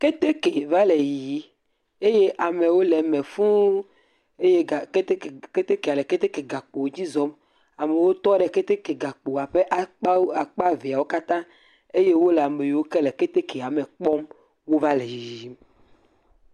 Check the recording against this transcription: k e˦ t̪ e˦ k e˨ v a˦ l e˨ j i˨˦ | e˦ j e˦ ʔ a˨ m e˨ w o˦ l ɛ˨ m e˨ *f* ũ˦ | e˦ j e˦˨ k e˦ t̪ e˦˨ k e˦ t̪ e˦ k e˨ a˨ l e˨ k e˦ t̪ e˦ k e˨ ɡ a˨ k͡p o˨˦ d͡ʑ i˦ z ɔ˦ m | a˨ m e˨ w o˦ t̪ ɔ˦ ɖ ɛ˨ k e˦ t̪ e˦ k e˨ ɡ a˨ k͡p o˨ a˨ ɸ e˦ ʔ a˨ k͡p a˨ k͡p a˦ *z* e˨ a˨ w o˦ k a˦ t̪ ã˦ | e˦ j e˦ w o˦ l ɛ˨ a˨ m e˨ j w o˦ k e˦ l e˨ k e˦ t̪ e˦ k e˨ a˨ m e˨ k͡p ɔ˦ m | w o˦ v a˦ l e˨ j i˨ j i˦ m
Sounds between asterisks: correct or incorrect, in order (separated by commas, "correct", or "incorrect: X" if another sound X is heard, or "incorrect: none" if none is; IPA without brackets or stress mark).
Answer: correct, incorrect: v